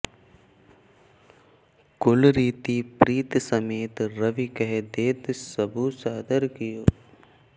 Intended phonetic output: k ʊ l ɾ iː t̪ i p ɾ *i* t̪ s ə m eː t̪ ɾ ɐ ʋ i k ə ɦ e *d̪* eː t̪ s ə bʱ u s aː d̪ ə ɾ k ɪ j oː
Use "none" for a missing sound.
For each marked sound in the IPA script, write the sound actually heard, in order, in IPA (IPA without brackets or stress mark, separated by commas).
iː, d̪